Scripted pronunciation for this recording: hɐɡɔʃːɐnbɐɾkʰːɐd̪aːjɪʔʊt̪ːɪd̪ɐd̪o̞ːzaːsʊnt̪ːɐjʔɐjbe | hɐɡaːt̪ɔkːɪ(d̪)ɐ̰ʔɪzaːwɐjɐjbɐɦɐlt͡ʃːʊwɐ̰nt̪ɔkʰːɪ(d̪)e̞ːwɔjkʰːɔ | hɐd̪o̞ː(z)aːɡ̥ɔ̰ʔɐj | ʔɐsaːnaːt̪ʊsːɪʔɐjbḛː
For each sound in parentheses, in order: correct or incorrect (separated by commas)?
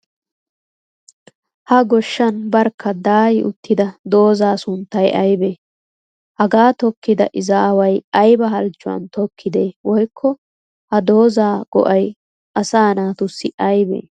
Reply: correct, correct, correct